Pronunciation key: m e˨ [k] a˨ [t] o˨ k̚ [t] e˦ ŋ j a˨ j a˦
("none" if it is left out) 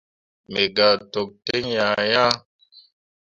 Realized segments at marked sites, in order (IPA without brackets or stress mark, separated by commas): ɡ, t, t